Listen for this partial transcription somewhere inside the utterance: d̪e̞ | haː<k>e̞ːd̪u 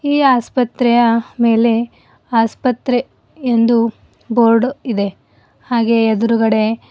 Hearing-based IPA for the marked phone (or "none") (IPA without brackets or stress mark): ɡ